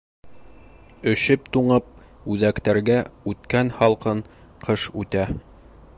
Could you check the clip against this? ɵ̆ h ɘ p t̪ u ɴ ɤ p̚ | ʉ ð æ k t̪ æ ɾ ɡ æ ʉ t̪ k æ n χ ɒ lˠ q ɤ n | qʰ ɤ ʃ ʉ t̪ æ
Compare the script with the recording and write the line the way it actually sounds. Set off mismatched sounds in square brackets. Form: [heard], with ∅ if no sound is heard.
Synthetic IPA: ɵ̆ [ɕ] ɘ p t̪ u ɴ ɤ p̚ | ʉ ð æ k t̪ æ ɾ ɡ æ ʉ t̪ k æ n [h] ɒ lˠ q ɤ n | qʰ ɤ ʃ ʉ t̪ æ